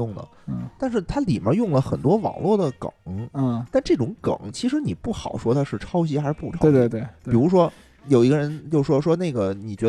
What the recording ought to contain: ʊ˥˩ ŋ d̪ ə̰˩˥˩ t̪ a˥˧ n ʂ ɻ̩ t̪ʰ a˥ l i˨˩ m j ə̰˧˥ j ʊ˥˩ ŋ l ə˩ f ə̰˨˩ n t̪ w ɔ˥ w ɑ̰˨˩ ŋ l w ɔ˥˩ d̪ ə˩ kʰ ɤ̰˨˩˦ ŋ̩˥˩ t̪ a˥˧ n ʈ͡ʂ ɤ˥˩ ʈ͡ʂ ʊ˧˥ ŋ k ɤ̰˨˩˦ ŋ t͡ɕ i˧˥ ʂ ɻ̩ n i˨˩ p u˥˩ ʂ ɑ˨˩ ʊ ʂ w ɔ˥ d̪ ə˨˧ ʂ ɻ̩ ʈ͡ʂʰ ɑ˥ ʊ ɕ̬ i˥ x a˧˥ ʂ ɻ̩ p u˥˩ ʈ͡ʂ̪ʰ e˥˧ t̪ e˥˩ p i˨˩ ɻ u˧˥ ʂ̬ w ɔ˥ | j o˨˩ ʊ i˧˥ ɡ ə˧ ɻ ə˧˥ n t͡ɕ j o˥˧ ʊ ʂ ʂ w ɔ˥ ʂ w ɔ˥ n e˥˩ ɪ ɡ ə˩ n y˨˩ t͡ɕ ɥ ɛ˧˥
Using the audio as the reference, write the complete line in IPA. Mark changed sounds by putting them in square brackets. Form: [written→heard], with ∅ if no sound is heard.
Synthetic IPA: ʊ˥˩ ŋ d̪ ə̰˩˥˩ t̪ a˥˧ n ʂ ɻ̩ t̪ʰ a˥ l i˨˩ m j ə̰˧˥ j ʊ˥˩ ŋ l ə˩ [f→x] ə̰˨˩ n t̪ w ɔ˥ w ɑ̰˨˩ ŋ l w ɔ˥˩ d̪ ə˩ [kʰ→k] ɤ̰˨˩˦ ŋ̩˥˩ t̪ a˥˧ n ʈ͡ʂ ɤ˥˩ ʈ͡ʂ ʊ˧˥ ŋ k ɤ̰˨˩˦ ŋ [t͡ɕ→t͡ɕʰ] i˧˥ ʂ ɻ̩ n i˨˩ p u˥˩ [ʂ→x] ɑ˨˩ ʊ ʂ w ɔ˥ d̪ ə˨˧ ʂ ɻ̩ ʈ͡ʂʰ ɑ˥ ʊ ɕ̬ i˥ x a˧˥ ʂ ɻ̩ p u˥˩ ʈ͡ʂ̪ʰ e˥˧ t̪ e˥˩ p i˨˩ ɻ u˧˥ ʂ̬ w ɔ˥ | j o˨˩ ʊ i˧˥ ɡ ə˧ ɻ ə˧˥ n t͡ɕ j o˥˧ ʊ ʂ ʂ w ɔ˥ ʂ w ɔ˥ n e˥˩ ɪ ɡ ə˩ n [y˨˩→i˨˩] t͡ɕ ɥ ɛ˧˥